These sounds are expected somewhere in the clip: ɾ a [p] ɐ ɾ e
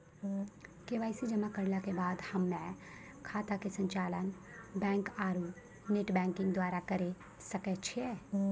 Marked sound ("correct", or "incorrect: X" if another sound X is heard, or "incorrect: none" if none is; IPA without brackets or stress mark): incorrect: k